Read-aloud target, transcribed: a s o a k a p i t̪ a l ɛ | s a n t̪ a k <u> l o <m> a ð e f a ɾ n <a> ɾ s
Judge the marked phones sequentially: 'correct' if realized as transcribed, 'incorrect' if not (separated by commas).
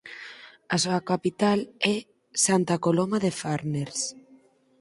incorrect, correct, incorrect